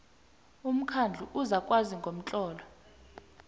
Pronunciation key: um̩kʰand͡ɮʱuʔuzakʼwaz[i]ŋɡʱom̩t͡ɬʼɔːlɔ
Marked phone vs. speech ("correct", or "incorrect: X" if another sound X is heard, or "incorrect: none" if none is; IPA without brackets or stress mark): correct